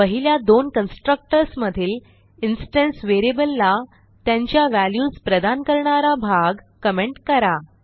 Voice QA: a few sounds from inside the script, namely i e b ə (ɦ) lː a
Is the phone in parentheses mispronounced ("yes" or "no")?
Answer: yes